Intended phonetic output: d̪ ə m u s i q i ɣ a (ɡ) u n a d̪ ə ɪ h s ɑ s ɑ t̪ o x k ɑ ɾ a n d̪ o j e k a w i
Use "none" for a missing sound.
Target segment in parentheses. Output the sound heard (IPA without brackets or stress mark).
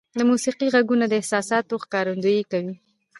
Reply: ɡ